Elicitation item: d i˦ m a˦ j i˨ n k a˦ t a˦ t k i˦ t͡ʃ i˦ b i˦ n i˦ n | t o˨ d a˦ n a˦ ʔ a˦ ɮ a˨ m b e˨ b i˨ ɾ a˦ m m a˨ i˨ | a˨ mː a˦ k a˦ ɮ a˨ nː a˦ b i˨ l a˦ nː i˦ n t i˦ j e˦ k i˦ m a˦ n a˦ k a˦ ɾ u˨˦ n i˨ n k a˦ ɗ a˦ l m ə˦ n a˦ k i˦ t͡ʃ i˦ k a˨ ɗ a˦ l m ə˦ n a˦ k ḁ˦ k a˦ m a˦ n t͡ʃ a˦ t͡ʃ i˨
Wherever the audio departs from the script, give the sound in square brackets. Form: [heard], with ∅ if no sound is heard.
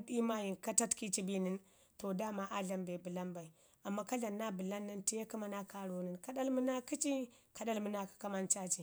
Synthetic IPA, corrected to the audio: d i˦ m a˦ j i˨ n k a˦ t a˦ t k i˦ t͡ʃ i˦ b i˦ n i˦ n | t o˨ d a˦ [m] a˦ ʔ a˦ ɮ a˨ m b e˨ b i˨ [l] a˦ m [b] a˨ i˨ | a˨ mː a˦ k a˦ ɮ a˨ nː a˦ b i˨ l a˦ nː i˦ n t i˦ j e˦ k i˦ m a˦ n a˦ k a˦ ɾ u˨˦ n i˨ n k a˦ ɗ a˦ l m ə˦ n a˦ k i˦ t͡ʃ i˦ k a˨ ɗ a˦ l m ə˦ n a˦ k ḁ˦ k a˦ m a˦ n t͡ʃ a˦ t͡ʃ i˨